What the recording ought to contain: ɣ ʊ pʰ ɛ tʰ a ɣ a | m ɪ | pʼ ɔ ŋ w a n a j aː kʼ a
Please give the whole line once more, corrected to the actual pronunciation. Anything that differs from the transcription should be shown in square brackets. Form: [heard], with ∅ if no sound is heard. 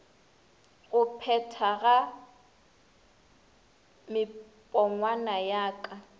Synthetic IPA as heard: ɣ ʊ pʰ ɛ tʰ a ɣ a | m ɪ | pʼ ɔ ŋ w a n a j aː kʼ a